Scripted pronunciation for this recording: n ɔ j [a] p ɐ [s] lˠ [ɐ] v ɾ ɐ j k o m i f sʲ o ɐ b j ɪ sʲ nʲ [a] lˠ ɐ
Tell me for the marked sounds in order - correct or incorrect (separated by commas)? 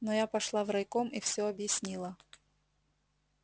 correct, incorrect, incorrect, incorrect